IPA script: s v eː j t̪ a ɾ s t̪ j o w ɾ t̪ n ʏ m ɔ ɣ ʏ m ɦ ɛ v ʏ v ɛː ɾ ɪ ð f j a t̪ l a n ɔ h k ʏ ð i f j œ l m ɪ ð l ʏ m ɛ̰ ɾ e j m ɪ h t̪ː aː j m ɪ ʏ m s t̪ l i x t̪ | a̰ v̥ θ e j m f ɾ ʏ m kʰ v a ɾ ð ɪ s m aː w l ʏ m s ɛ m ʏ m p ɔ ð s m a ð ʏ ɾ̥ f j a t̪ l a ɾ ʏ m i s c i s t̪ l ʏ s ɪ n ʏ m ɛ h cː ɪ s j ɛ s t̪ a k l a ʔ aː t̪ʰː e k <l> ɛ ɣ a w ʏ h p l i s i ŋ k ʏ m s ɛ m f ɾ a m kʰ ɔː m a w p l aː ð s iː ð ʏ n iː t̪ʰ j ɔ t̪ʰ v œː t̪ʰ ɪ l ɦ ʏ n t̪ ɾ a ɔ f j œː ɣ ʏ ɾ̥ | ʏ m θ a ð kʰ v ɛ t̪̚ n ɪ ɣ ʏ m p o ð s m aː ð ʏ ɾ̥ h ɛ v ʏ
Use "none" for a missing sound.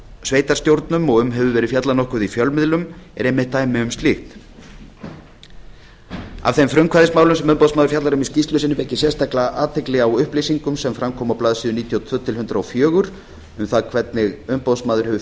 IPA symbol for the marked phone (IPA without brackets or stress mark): l